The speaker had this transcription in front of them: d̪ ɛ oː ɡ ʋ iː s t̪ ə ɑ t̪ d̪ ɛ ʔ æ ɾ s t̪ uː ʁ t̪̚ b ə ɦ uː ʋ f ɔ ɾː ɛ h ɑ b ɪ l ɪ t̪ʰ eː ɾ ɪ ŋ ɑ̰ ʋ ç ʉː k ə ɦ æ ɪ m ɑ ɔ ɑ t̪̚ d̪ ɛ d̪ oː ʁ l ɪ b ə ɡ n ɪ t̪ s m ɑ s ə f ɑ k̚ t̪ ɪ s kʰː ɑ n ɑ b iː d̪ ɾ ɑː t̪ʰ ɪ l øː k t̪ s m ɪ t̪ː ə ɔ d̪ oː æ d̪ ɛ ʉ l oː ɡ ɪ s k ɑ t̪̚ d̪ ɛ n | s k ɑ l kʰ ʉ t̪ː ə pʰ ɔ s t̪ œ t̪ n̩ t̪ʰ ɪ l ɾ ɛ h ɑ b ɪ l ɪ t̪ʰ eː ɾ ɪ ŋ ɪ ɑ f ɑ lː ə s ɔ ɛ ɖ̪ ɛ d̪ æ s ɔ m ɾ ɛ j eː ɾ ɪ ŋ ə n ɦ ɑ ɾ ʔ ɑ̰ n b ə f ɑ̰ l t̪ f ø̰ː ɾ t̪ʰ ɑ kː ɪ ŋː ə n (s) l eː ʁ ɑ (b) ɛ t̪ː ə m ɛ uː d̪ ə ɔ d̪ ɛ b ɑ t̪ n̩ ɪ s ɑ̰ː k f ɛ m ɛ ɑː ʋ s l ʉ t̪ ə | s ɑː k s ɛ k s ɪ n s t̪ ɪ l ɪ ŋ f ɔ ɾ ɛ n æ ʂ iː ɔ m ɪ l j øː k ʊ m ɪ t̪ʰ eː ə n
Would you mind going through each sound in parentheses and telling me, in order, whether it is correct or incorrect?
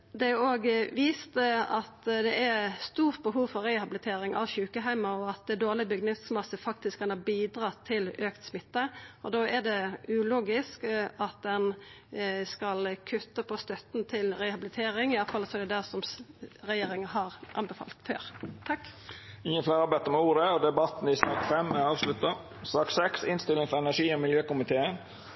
incorrect: f, correct

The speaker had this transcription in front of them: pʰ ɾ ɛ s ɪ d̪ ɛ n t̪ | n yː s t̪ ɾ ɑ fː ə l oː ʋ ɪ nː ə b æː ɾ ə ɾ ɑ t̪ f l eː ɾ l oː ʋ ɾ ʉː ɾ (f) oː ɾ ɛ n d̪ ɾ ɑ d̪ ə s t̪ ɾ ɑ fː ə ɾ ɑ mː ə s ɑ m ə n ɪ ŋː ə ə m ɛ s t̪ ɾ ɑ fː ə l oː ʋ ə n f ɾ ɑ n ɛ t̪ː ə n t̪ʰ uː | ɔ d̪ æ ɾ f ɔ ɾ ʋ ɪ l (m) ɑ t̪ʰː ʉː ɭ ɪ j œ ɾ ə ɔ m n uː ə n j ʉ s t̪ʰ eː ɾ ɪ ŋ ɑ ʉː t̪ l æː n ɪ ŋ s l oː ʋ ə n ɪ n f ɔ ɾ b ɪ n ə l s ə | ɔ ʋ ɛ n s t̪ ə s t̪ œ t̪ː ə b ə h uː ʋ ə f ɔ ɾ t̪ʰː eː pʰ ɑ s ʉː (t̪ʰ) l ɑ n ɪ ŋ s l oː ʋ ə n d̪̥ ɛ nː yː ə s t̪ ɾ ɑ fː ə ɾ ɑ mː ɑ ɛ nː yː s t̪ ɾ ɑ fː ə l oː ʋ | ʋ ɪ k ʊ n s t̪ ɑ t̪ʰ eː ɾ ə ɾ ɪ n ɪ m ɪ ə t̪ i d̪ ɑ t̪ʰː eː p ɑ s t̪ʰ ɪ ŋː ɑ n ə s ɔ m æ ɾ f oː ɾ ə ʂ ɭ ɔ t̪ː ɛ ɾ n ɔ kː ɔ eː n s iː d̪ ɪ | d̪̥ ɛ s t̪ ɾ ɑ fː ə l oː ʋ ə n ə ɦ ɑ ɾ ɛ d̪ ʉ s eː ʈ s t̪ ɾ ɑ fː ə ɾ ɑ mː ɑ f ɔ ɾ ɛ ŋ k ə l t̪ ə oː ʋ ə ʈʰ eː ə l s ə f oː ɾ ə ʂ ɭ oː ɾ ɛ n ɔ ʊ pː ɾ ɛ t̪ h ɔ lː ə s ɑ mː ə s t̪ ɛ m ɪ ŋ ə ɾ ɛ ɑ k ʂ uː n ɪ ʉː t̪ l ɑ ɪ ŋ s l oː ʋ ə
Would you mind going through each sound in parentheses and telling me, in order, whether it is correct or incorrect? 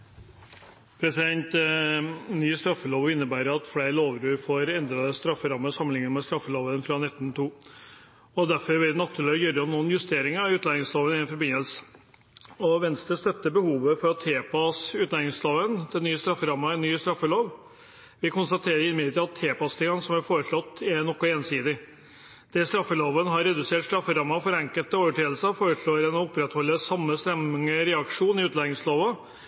correct, incorrect: n, incorrect: t̪

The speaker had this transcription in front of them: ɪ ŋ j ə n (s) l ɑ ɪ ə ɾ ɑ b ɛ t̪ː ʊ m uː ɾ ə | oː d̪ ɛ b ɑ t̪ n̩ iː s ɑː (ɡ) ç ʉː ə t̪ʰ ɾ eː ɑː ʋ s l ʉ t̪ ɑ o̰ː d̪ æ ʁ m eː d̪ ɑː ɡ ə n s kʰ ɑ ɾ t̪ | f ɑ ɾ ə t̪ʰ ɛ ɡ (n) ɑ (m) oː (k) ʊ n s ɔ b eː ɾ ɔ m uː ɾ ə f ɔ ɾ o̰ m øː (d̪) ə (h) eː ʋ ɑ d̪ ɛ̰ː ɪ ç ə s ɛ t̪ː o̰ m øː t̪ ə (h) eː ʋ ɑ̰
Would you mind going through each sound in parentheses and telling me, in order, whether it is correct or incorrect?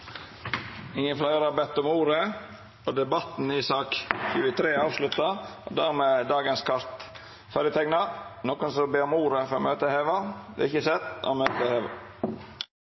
incorrect: f, incorrect: k, correct, incorrect: n, correct, incorrect: t̪, correct, correct

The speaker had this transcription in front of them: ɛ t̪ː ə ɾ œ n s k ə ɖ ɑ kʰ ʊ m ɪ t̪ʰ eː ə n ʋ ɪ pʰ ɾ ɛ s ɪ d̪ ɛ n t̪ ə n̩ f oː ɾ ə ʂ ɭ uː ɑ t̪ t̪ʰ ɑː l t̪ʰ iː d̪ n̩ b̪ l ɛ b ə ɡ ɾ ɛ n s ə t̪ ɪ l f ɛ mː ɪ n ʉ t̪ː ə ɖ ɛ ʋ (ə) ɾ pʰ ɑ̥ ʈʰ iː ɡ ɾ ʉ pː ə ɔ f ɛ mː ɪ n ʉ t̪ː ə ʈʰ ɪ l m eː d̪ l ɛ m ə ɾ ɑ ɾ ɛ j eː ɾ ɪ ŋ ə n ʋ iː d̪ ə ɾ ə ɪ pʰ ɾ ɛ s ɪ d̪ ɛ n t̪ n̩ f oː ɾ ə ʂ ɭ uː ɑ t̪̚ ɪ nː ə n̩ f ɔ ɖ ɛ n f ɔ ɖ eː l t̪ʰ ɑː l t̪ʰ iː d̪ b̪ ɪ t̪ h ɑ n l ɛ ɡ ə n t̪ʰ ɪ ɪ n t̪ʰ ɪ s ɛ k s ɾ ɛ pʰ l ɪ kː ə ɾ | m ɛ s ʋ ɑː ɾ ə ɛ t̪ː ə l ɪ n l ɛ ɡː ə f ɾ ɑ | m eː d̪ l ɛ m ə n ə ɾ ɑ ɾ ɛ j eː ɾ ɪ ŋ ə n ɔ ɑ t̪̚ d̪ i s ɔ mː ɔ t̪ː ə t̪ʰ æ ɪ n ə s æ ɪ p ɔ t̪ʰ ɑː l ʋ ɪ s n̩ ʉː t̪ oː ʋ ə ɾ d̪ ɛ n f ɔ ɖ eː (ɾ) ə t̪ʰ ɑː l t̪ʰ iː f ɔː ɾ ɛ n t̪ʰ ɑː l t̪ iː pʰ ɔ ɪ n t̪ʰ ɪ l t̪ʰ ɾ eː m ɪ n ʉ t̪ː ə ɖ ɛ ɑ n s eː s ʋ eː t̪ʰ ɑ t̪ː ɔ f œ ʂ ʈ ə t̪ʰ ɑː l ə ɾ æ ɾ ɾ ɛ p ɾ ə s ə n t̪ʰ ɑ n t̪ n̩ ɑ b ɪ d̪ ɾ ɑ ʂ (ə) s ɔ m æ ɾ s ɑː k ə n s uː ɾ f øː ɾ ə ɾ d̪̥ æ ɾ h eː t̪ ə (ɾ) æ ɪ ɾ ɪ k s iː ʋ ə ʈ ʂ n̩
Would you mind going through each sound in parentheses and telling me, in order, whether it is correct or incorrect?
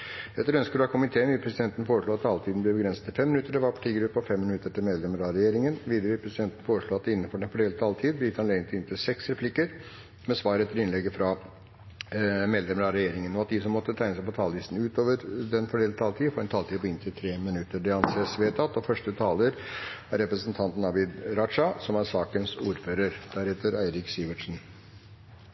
incorrect: ɑ, incorrect: l, incorrect: ɑ, correct

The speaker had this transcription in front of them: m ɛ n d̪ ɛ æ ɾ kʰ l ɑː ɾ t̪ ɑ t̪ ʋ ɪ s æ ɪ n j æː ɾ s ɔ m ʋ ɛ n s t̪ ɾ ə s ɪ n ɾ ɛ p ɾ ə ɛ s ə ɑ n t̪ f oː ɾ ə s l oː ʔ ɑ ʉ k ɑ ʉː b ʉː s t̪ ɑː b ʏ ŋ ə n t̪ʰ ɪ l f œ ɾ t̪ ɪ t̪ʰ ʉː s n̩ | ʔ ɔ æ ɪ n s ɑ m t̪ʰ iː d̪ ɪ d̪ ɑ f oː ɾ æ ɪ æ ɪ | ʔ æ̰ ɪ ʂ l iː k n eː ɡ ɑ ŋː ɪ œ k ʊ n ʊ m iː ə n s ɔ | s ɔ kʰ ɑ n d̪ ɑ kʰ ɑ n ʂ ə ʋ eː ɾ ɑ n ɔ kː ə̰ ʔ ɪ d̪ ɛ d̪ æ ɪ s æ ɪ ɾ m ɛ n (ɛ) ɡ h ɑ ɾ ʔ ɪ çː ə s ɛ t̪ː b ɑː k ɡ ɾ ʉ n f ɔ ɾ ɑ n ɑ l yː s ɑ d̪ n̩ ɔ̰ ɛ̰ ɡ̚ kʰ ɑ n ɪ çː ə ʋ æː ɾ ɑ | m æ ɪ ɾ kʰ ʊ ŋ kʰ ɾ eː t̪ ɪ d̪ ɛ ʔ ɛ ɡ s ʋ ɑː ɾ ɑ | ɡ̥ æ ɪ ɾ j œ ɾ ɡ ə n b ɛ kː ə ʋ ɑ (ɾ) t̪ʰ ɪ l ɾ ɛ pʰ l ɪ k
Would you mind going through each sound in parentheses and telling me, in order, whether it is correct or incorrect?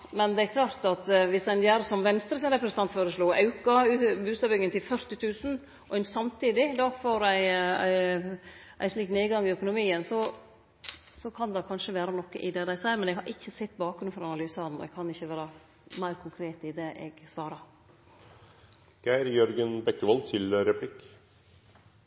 correct, incorrect: l

